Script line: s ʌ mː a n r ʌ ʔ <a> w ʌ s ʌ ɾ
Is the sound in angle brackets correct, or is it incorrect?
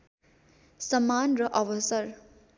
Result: incorrect